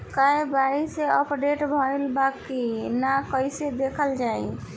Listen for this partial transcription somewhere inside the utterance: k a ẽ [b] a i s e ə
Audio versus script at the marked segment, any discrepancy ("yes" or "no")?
no